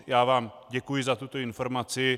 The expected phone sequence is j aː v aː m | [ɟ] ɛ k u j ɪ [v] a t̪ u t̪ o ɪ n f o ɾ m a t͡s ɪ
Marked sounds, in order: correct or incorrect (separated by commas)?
correct, incorrect